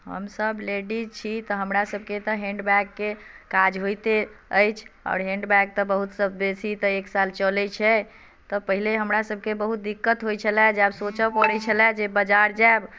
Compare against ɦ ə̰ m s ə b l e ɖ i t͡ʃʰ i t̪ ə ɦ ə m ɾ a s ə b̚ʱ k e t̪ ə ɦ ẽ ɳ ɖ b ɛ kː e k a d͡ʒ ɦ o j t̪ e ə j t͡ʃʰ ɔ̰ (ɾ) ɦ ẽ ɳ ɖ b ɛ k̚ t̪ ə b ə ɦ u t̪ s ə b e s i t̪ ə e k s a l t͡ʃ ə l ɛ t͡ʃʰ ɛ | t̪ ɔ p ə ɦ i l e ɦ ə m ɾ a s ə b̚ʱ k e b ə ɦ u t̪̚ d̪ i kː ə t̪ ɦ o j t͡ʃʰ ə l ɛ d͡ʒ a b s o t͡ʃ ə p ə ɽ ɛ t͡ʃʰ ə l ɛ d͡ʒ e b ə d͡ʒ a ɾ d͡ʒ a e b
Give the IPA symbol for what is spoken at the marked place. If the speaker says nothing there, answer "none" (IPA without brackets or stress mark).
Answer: ɾ